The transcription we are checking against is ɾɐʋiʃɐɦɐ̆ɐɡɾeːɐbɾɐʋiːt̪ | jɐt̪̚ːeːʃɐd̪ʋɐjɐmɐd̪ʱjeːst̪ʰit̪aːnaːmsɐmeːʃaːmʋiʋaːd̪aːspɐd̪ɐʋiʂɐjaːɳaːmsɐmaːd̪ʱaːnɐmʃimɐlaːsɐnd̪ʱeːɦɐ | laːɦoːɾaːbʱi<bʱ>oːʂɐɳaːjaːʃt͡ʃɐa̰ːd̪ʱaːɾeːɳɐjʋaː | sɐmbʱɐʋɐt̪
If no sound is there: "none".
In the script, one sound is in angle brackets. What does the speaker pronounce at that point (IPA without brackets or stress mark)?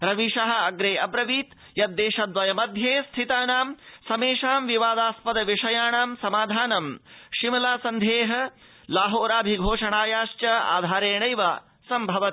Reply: ɡʱ